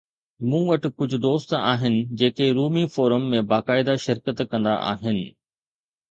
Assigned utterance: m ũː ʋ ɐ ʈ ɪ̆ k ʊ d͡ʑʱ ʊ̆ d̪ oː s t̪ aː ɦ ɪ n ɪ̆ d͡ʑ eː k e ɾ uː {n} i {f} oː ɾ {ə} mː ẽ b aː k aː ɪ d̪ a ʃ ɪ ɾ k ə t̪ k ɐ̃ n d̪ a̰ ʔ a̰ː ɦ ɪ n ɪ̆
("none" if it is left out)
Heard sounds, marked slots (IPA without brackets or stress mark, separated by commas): m, f, ə